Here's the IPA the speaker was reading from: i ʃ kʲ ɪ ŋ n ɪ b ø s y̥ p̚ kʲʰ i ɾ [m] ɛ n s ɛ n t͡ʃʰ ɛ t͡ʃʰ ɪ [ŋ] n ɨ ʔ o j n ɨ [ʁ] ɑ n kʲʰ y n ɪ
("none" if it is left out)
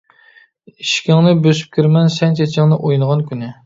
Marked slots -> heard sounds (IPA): m, ŋ, ʁ

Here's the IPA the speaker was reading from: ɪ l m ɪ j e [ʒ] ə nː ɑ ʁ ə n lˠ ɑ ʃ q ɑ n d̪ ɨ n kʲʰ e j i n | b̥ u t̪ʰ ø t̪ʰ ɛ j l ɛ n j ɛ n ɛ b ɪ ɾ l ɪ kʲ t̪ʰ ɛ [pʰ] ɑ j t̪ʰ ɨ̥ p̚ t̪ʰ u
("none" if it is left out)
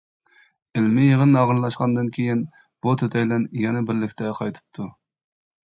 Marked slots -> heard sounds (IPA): ʁ, qʰ

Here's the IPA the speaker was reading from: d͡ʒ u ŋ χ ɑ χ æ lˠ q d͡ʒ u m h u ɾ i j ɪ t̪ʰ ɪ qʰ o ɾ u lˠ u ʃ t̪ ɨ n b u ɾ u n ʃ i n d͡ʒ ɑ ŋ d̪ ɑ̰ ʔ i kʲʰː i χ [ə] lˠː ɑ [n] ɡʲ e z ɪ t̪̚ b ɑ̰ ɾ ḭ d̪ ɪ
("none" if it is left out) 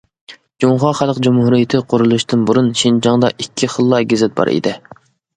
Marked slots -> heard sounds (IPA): ə, none

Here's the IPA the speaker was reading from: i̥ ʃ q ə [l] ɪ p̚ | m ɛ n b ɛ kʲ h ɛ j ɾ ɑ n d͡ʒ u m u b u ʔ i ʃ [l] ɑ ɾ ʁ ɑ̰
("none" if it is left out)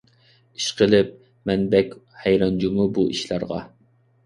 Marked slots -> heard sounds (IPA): l, l

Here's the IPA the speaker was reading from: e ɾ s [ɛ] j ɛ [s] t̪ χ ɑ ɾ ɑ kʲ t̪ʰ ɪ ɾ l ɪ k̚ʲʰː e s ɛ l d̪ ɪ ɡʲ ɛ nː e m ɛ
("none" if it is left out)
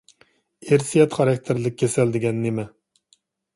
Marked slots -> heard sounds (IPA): i, none

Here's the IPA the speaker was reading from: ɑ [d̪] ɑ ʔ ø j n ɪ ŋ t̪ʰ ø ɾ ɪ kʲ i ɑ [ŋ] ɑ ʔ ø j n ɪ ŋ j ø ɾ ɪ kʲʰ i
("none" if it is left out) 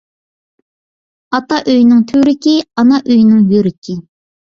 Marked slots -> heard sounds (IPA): t̪, n

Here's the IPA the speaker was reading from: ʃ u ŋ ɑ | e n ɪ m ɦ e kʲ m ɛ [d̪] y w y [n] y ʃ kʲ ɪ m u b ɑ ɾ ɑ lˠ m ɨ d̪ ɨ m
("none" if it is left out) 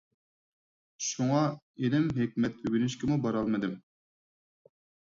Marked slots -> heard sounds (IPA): t̪, n

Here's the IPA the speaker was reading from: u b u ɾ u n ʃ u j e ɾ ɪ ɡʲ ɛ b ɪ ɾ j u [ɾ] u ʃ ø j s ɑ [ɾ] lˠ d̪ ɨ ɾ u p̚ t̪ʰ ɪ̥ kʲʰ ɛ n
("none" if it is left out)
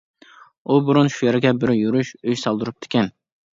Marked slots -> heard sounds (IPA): ɾ, none

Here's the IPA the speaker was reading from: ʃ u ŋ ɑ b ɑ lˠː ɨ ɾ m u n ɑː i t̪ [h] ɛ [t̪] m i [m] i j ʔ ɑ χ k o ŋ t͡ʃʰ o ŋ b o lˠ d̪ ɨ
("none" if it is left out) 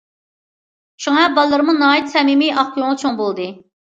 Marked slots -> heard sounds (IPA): s, none, m

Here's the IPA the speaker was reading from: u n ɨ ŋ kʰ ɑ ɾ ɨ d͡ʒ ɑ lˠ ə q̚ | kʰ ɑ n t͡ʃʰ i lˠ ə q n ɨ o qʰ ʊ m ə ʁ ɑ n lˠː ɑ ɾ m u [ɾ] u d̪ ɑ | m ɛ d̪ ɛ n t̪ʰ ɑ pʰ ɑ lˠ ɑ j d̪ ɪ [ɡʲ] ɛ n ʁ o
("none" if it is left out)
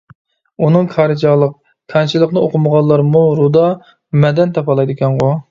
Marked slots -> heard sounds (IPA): ɾ, kʲ

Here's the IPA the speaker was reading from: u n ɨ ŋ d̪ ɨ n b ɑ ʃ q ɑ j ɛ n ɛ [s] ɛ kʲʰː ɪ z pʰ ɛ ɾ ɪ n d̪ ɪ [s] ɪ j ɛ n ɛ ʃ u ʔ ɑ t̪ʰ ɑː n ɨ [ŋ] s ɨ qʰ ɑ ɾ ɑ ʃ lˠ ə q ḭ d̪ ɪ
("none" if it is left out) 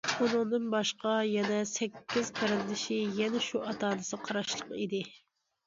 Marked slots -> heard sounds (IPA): s, ʃ, none

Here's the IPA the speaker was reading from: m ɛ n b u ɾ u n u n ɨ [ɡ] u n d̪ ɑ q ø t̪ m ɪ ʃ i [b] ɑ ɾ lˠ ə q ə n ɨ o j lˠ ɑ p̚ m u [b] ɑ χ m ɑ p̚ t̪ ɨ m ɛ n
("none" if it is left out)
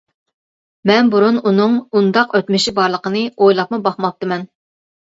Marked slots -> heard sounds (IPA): ŋ, b, b

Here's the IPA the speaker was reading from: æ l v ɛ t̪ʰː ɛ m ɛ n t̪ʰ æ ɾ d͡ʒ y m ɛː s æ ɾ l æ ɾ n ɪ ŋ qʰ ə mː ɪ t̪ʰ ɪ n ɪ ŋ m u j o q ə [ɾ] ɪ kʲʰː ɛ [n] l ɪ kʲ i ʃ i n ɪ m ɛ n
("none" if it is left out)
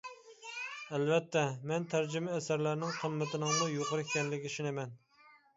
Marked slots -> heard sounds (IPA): ɾ, n

